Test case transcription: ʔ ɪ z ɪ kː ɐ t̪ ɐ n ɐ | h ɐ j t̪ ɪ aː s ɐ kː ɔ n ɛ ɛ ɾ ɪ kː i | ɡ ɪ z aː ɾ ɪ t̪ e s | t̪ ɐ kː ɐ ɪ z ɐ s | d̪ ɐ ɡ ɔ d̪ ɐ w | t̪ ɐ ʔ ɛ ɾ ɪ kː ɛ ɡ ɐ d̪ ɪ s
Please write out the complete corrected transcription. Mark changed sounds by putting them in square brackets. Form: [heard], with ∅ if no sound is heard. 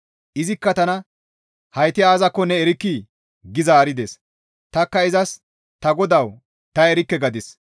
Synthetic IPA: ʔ ɪ z ɪ kː ɐ t̪ ɐ n ɐ | h ɐ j t̪ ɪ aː [z] ɐ kː ɔ n ɛ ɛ ɾ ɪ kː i | ɡ ɪ z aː ɾ ɪ [d̪] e s | t̪ ɐ kː ɐ ɪ z ɐ s | [t̪] ɐ ɡ ɔ d̪ ɐ w | t̪ ɐ [∅] ɛ ɾ ɪ kː ɛ ɡ ɐ d̪ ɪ s